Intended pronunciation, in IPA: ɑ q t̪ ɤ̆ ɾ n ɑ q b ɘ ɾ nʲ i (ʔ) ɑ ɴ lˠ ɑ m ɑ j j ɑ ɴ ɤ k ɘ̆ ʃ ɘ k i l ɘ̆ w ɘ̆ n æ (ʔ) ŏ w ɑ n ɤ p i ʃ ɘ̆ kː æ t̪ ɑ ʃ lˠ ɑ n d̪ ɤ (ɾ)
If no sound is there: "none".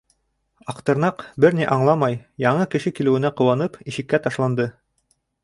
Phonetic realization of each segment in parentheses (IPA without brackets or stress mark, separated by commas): ʔ, q, none